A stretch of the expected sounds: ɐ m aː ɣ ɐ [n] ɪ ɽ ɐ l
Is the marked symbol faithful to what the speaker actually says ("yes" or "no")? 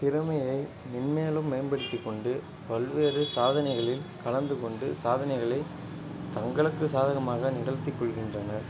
yes